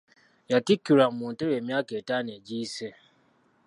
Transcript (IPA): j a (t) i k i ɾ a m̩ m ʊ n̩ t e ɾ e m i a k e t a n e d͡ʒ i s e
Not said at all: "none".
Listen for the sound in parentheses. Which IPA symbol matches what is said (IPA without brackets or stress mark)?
t